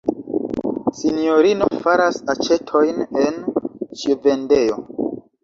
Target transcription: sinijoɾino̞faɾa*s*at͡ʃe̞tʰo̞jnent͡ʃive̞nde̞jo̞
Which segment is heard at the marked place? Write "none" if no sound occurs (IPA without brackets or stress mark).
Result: s